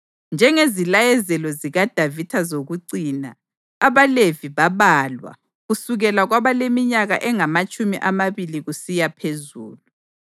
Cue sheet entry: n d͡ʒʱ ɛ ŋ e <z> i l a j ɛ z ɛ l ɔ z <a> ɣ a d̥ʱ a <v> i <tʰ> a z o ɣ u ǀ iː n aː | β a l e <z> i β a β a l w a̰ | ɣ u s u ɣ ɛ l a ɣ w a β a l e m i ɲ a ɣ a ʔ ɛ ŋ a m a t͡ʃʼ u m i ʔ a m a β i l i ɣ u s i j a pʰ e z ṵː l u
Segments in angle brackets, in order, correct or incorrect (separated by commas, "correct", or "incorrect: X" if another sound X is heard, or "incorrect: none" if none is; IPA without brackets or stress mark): correct, incorrect: i, correct, correct, incorrect: v